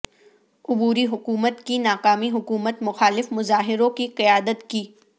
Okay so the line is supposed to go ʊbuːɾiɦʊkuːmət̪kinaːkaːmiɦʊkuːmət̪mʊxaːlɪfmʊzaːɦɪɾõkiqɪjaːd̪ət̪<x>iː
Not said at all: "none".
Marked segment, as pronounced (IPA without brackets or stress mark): k